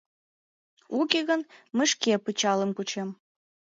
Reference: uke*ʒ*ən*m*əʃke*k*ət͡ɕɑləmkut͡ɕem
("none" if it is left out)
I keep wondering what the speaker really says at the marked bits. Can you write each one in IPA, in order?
ɣ, m, p

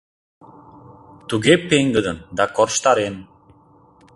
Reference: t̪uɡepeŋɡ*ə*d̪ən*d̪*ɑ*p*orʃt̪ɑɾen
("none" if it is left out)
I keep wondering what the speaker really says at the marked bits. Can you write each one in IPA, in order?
ə, d̪, k

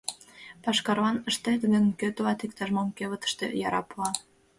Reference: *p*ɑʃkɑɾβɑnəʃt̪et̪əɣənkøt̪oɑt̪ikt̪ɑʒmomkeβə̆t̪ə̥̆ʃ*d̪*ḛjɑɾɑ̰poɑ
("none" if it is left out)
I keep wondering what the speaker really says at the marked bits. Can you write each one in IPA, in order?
p, t̪

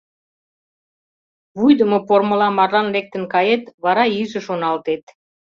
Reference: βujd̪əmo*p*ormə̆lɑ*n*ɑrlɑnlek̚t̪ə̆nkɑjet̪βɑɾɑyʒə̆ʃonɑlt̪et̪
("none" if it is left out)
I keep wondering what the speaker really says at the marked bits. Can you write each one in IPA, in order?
p, m

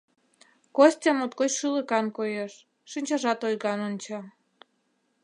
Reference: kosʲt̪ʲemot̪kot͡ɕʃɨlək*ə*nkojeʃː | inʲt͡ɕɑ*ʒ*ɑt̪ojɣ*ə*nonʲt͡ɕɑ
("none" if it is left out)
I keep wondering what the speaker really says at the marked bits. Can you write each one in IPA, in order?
ɑ, ʒ, ɑ

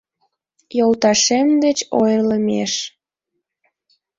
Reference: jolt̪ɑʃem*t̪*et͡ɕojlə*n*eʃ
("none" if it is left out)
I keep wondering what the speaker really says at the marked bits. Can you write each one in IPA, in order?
d̪, m

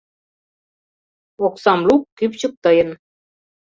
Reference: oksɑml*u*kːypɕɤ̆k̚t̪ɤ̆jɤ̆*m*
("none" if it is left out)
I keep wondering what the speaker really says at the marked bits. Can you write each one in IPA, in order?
u, n

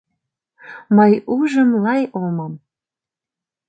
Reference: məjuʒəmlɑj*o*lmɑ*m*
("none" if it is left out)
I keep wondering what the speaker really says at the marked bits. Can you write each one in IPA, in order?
o, m

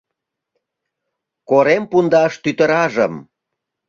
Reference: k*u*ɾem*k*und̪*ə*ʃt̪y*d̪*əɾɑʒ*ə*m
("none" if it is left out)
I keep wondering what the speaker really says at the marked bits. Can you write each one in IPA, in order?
o, p, ɑ, t̪, ə

